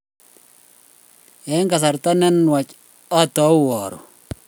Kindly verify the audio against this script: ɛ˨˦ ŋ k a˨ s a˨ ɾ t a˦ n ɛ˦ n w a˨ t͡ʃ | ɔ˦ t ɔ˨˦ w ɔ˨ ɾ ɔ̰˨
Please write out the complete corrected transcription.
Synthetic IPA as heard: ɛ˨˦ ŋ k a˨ s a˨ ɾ t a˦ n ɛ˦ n w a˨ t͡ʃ | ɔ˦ t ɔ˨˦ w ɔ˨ ɾ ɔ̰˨